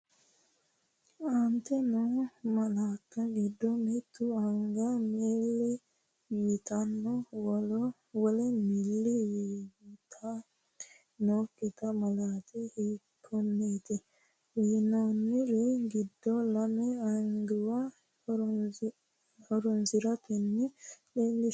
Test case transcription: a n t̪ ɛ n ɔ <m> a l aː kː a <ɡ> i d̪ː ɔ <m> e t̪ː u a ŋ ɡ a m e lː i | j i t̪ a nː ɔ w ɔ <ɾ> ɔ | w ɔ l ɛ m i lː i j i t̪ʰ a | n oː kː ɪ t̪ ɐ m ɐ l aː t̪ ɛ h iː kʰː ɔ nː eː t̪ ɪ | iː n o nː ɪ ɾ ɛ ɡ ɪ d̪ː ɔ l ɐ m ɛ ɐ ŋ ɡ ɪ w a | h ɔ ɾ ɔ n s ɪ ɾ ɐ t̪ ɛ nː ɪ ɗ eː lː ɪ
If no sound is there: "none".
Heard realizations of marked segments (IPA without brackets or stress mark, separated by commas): m, ɡ, m, l